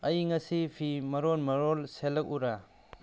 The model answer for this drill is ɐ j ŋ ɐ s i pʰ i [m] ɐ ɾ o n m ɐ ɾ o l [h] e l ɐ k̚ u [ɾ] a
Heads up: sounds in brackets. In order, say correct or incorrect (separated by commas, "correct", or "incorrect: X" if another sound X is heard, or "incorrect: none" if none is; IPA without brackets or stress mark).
correct, incorrect: s, correct